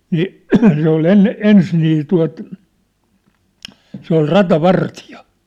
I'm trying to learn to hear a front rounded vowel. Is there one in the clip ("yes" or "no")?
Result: no